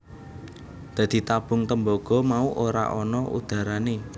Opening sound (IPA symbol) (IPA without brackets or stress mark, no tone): d̪̥